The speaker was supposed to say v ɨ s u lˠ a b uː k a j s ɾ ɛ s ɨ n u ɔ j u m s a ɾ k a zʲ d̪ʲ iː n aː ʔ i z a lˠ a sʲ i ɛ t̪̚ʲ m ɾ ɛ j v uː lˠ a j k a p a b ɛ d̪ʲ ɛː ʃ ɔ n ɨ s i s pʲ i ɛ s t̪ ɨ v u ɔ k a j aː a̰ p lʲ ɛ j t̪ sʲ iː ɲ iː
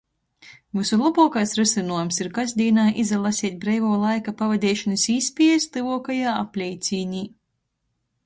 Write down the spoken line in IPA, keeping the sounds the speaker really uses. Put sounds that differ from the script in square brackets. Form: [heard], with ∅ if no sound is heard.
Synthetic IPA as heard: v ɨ s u lˠ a b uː k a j s ɾ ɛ s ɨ n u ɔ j u m s [i] ɾ k a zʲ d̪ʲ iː n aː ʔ i z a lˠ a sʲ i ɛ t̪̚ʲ [b] ɾ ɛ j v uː lˠ a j k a p a [v] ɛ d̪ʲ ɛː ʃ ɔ n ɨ s i s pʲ i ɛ s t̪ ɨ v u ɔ k a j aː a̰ p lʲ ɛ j t̪ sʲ iː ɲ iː